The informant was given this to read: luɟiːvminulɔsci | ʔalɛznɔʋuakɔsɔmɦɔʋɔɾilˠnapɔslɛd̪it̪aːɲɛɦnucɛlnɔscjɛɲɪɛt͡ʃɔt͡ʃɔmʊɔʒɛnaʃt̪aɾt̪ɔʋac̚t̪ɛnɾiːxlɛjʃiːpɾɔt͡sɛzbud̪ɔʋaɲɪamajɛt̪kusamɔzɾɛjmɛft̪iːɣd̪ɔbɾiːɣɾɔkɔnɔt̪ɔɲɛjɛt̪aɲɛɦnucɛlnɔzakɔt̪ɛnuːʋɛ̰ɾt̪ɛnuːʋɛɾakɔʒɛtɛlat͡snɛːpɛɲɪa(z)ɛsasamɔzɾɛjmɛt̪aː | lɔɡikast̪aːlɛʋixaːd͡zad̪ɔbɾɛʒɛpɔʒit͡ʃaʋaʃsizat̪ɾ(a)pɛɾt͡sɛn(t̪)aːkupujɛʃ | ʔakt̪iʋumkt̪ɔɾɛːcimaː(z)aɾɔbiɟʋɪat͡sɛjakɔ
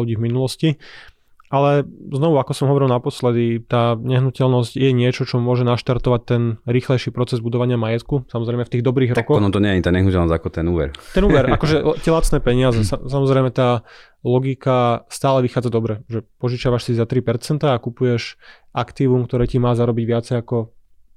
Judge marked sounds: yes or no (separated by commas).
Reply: yes, no, yes, yes